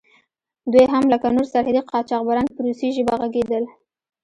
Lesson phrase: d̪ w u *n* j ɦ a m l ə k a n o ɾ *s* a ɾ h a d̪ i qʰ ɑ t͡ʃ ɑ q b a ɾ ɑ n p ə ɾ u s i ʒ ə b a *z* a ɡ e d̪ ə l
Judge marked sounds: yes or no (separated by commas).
no, yes, no